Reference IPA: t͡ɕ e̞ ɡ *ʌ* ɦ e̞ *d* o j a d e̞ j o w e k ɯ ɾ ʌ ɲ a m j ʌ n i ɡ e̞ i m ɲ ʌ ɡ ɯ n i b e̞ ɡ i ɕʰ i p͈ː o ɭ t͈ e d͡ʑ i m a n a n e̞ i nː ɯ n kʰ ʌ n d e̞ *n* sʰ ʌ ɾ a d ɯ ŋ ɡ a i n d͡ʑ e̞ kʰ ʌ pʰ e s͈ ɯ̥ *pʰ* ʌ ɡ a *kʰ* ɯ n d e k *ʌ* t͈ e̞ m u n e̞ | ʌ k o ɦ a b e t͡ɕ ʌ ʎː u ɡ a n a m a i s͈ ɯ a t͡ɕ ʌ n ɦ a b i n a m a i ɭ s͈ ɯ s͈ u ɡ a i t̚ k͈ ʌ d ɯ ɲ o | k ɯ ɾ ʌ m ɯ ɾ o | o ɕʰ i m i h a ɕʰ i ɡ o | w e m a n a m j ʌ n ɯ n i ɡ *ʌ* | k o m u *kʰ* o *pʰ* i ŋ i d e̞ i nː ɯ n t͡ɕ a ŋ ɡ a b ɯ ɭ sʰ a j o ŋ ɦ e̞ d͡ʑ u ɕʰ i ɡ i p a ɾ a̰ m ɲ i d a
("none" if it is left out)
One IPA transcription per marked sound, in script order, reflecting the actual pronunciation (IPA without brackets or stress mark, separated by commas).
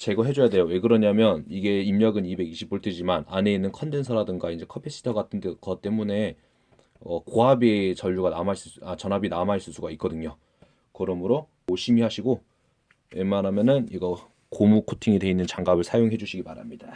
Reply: ʌ, d͡ʑ, n, tʰ, tʰ, ʌ, ʌ, kʰ, tʰ